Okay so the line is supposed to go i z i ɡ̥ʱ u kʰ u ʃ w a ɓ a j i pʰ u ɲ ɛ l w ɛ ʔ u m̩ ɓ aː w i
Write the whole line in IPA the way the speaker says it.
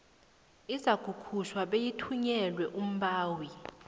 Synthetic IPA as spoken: i z a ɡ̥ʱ u kʰ u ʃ w a ɓ e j i tʰ u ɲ ɛ l w ɛ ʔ u m̩ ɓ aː w i

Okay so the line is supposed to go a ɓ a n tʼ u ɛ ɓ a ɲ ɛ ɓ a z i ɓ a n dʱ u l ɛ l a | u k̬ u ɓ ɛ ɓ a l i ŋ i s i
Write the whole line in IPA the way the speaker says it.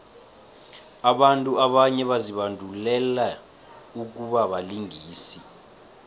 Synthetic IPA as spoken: a ɓ a n tʼ u a ɓ a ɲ ɛ ɓ a z i ɓ a n dʱ u l ɛ l a | u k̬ u ɓ a ɓ a l i ŋ iː s i

